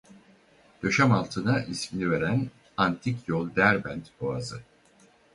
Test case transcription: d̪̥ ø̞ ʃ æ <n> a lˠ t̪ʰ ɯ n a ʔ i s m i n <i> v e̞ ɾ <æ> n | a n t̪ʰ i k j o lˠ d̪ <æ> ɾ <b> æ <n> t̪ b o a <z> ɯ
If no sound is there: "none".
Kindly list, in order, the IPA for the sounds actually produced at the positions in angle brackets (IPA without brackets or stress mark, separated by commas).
m, i, æ, æ, b, n, z